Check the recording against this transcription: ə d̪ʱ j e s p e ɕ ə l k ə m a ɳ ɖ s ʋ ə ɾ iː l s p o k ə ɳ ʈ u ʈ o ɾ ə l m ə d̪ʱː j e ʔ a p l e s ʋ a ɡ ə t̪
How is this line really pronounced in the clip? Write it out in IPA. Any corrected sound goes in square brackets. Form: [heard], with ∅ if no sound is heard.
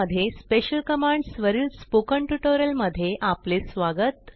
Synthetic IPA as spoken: ə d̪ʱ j e s p e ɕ ə l k ə m a ɳ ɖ s ʋ ə ɾ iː l s p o k ə ɳ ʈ u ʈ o ɾ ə l m ə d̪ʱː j e ʔ a p l e s ʋ a ɡ ə t̪